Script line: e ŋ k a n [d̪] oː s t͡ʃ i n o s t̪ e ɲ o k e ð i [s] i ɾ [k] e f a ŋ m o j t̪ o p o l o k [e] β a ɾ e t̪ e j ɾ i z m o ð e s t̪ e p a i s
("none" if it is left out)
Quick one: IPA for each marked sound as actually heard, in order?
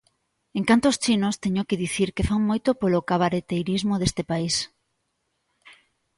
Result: t̪, θ, k, a

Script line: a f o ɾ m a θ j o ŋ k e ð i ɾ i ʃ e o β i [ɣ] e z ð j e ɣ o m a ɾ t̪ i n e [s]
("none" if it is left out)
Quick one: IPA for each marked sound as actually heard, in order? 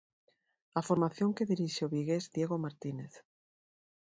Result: ɣ, θ

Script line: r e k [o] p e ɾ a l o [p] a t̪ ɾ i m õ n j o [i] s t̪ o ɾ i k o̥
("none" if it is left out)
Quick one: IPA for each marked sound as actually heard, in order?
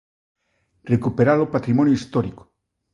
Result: u, p, i

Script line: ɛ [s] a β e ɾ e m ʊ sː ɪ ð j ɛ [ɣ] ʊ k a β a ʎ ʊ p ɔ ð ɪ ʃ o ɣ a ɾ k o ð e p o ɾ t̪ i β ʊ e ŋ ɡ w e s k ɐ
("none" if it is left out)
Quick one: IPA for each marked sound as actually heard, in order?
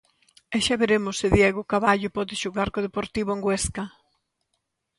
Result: ʃ, ɣ

